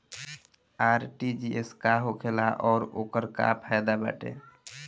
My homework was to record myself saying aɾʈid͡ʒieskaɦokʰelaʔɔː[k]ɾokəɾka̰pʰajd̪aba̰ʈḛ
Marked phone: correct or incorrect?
incorrect